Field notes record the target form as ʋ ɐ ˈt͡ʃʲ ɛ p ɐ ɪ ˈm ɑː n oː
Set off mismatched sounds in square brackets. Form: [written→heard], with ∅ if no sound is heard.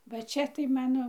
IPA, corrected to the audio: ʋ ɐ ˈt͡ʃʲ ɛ [p→t] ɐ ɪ ˈm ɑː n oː